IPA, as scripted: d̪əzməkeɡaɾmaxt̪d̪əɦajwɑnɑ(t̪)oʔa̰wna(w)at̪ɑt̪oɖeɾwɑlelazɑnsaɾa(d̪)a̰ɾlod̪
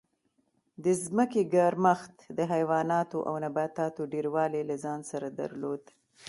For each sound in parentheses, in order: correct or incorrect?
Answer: correct, incorrect, correct

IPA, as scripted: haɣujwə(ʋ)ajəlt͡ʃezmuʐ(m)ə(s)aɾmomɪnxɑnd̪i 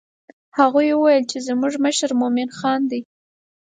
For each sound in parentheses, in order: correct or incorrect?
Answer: incorrect, correct, incorrect

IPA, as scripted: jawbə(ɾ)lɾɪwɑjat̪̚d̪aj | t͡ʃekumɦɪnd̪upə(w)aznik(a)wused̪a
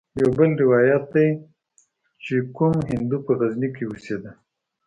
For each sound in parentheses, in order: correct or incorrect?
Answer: incorrect, incorrect, incorrect

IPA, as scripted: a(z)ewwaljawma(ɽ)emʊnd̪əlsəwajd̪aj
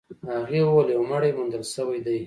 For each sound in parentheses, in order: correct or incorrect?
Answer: incorrect, correct

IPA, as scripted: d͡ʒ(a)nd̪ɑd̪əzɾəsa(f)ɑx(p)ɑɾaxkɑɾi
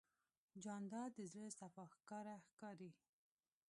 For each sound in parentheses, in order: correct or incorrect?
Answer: incorrect, correct, incorrect

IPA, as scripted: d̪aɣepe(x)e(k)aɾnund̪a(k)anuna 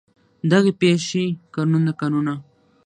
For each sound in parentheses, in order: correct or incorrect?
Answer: incorrect, correct, correct

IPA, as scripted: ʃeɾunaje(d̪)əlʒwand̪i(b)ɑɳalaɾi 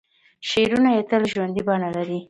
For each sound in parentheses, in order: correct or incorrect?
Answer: incorrect, correct

